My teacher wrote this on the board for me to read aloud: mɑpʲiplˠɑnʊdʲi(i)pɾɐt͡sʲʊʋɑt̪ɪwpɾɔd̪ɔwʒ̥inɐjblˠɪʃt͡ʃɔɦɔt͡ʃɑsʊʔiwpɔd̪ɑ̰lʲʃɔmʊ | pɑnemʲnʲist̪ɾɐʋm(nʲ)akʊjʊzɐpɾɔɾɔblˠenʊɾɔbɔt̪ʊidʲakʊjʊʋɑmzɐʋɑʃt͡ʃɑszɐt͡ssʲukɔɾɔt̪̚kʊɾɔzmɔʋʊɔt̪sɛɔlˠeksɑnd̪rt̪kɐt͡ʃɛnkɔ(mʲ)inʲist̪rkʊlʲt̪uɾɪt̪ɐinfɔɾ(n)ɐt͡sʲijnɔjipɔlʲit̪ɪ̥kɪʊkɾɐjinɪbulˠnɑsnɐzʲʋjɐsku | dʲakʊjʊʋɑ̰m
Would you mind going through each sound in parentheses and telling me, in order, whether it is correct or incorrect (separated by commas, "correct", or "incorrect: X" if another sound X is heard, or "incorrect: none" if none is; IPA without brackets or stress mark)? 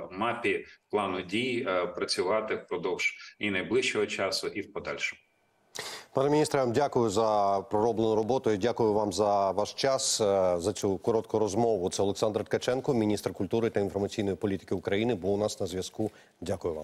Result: incorrect: j, incorrect: dʲ, correct, incorrect: m